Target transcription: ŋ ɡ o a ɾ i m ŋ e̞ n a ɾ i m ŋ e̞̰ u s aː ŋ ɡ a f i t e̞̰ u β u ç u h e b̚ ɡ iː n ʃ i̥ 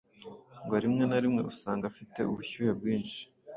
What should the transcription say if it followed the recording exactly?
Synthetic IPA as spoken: ŋ ɡ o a ɾ i m ŋ e̞ n a ɾ i m ŋ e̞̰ u s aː ŋ ɡ a f i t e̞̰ u β u ç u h e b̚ ɡ iː n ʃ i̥